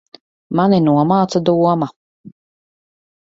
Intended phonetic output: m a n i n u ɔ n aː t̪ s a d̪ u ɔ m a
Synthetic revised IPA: m a n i n u ɔ m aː t̪ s a d̪ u ɔ m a